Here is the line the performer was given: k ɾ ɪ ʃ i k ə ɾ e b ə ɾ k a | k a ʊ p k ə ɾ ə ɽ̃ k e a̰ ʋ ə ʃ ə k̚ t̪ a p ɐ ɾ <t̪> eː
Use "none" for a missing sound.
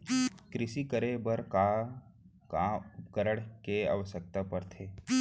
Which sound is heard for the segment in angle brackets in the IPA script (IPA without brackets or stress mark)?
t̪ʰ